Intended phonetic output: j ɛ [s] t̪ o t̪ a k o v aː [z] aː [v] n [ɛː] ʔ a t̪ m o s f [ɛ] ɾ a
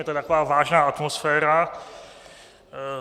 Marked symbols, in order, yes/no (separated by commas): no, no, no, no, no